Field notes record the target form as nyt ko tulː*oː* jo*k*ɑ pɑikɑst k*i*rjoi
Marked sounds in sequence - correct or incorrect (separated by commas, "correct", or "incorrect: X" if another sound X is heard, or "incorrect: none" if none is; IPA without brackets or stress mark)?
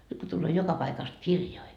correct, correct, correct